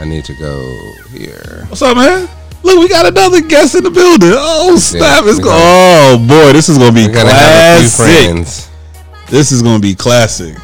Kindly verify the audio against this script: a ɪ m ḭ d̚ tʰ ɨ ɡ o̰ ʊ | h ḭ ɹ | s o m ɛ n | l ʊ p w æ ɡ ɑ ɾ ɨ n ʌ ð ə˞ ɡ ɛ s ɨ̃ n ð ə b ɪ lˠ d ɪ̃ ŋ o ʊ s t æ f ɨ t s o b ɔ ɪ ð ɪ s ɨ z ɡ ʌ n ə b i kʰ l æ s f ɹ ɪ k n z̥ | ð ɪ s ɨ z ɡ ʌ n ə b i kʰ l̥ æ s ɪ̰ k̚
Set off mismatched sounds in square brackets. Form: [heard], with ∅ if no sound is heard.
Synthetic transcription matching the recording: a ɪ [n] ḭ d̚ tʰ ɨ ɡ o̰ ʊ | h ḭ ɹ | s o m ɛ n | l ʊ [k] w [i] ɡ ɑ ɾ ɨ n ʌ ð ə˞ ɡ ɛ s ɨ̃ n ð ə b ɪ lˠ d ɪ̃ ŋ o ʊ s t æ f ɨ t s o b ɔ ɪ ð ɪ s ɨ z ɡ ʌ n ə b i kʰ l æ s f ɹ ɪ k n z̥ | ð ɪ s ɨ z ɡ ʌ n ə b i kʰ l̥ æ s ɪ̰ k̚